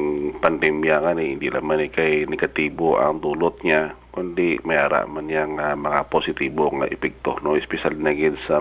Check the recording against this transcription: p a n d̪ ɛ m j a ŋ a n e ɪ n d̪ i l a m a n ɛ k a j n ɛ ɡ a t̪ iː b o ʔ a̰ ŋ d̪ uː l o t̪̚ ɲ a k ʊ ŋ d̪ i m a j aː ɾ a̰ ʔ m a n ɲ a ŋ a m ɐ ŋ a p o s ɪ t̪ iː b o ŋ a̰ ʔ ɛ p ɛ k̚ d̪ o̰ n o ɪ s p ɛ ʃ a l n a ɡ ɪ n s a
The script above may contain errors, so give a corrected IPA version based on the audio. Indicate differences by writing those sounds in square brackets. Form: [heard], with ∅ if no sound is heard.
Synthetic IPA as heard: p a n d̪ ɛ m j a ŋ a n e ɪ n d̪ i l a m a n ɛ k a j n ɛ ɡ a t̪ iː b o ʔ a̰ ŋ d̪ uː l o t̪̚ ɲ a k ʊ [n] d̪ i m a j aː ɾ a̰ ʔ m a n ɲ a ŋ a m ɐ ŋ a p o s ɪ t̪ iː b o ŋ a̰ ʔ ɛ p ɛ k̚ [t̪] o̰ n o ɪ s p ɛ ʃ a l n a ɡ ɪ n s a